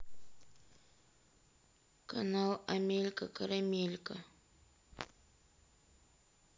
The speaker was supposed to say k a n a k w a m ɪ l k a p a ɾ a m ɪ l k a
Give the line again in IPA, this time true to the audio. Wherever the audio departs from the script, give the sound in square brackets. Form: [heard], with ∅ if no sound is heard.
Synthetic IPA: k a n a [∅] w a m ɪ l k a [k] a ɾ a m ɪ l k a

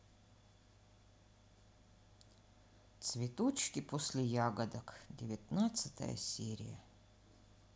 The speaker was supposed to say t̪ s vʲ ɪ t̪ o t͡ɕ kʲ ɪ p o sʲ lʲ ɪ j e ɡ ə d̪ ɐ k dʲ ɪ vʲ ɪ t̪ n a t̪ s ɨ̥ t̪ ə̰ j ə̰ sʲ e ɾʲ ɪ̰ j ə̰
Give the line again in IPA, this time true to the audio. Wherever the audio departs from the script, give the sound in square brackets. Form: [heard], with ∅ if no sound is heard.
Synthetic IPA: t̪ s vʲ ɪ t̪ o t͡ɕ kʲ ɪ p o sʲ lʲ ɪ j [a] ɡ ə d̪ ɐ k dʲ ɪ vʲ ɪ t̪ n a t̪ s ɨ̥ t̪ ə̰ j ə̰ sʲ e ɾʲ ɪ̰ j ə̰

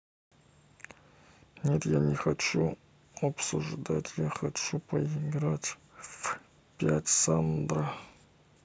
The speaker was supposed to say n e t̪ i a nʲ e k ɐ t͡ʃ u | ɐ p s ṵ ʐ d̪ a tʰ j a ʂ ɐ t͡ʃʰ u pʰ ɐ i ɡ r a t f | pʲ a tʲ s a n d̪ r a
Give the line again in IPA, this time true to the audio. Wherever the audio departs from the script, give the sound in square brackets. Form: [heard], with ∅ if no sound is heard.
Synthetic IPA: n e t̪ [j] a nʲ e [x] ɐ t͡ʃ u | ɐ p s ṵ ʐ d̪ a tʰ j a [x] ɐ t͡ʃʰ u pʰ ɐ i ɡ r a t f | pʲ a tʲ s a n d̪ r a

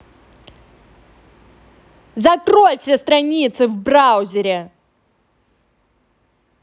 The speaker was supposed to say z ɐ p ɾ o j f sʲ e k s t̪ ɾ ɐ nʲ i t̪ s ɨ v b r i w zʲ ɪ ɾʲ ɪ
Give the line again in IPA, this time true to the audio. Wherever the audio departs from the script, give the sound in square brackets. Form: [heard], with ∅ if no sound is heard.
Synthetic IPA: z ɐ [k] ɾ o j f sʲ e [∅] s t̪ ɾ ɐ nʲ i t̪ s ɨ v b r [a] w zʲ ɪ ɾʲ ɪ

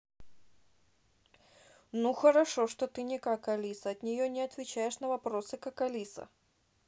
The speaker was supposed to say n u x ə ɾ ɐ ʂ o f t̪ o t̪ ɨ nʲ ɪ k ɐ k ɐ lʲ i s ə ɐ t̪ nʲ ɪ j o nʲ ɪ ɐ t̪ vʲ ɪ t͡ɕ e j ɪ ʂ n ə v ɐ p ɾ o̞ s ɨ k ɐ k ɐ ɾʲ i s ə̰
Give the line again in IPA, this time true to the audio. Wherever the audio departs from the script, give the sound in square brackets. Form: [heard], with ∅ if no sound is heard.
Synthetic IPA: n u x ə ɾ ɐ ʂ o [ʂ] t̪ o t̪ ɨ nʲ ɪ k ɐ k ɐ lʲ i s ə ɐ t̪ nʲ ɪ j o nʲ ɪ ɐ t̪ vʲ ɪ t͡ɕ [æ] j ɪ ʂ n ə v ɐ p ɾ o̞ s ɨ k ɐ k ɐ [lʲ] i s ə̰

